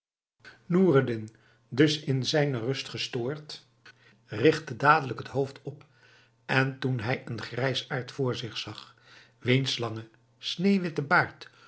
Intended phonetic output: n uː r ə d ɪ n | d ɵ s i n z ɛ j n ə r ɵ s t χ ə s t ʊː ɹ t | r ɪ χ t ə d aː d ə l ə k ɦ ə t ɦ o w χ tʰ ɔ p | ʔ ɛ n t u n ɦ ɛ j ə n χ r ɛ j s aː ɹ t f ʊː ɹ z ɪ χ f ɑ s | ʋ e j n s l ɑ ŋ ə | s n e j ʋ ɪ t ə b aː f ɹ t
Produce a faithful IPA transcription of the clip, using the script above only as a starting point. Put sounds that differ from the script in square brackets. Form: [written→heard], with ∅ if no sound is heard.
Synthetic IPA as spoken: n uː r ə d ɪ n | d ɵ s [i→ɪ] n z ɛ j n ə r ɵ s t χ ə s t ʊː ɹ t | r ɪ χ t ə d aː d ə l ə k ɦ ə t ɦ o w [χ→f] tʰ ɔ p | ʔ ɛ n t u n ɦ ɛ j ə n χ r ɛ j s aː ɹ t f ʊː ɹ z ɪ χ [f→s] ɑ [s→χ] | ʋ e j n s l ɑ ŋ ə | s n e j ʋ ɪ t ə b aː [f→∅] ɹ t

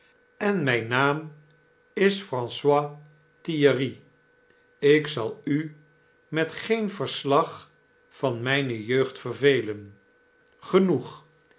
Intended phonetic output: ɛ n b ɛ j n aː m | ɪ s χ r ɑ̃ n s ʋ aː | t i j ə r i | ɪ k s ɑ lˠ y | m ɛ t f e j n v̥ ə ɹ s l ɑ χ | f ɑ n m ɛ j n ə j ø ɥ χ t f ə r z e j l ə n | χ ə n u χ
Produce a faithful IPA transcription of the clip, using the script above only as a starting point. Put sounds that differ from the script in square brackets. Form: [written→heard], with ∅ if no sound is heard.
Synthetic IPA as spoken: ɛ n [b→m] ɛ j n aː m | ɪ s [χ→f] r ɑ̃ n s [ʋ→w] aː | t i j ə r i | ɪ k s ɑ lˠ y | m ɛ t [f→χ] e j n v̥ ə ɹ s l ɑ χ | f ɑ n m ɛ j n ə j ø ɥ χ t f ə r [z→v] e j l ə n | χ ə n u χ

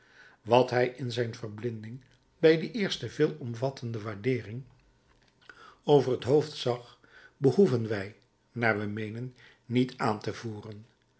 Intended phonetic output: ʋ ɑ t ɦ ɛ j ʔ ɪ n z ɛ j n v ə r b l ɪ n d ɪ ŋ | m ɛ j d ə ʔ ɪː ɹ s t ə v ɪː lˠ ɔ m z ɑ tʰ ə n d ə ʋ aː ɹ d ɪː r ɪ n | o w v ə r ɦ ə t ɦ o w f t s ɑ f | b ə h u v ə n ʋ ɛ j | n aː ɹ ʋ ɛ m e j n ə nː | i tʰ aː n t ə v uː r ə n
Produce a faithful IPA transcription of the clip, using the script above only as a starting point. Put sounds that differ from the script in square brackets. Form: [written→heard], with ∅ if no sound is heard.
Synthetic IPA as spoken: ʋ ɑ t ɦ ɛ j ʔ ɪ n z ɛ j n v ə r b l ɪ n d ɪ ŋ | [m→b] ɛ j d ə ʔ ɪː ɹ s t ə v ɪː lˠ ɔ m [z→v] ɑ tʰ ə n d ə ʋ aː ɹ d ɪː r ɪ [n→ŋ] | o w v ə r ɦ ə t ɦ o w f t s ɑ [f→χ] | b ə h u v ə n ʋ ɛ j | n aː ɹ ʋ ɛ m e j n ə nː | i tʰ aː n t ə v uː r ə n

